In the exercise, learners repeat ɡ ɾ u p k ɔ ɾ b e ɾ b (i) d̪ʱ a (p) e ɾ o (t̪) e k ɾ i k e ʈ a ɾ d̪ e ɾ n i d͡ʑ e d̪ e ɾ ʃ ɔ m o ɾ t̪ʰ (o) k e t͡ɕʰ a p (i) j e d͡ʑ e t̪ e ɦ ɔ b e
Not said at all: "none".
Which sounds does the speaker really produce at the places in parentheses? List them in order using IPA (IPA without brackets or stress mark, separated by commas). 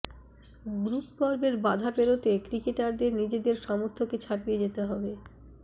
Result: a, p, t̪, o, i